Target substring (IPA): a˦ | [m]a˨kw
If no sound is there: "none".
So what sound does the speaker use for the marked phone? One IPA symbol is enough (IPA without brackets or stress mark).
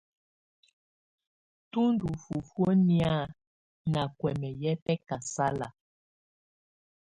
n